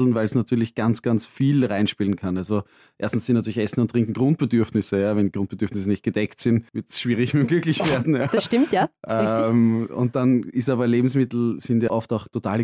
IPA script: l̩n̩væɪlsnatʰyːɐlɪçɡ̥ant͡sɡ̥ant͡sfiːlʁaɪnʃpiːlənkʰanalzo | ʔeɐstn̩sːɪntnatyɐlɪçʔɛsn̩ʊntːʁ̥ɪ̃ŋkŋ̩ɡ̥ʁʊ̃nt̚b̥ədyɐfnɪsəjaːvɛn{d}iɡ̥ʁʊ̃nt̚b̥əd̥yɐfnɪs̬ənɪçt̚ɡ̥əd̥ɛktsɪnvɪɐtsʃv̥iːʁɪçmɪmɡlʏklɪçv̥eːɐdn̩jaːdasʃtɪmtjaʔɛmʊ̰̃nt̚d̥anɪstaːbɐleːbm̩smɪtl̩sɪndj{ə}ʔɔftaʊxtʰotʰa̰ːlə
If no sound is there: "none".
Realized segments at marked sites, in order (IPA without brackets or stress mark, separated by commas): d, a